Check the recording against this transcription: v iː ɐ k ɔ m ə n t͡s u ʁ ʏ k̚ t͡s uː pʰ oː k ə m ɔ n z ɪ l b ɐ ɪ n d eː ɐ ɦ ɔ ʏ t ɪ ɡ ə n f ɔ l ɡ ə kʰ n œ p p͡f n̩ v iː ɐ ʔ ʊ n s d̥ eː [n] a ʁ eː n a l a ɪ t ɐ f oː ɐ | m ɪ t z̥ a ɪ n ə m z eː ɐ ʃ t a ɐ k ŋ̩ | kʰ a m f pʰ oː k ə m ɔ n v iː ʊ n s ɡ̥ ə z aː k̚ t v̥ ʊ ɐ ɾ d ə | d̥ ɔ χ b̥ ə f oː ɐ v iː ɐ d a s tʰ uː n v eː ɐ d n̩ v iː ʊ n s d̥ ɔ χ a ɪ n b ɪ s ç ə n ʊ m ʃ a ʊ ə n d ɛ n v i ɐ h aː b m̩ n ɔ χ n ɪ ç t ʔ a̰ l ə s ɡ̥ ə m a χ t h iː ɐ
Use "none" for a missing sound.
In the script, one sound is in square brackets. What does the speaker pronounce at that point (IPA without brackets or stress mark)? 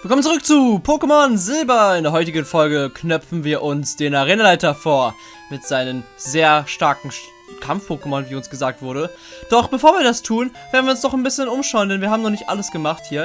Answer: n